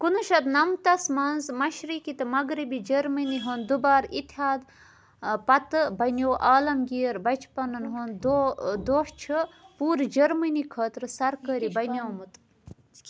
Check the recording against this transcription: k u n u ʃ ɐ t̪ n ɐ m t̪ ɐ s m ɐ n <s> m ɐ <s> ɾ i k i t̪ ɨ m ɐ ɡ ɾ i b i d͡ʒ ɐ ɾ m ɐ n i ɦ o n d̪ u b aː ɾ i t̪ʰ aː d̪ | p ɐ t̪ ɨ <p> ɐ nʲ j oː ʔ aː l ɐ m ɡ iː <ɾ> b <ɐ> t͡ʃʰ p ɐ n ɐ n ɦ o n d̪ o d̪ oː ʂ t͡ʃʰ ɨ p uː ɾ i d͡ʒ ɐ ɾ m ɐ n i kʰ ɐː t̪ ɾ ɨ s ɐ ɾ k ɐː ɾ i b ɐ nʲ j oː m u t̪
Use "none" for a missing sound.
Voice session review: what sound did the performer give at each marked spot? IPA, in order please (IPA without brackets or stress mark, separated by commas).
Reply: z, ʃ, b, ɾ, ɐ